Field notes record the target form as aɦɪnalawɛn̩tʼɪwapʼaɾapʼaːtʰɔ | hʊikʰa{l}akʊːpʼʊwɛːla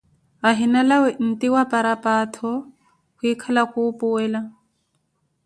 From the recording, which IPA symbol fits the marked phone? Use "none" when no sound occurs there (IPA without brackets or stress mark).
l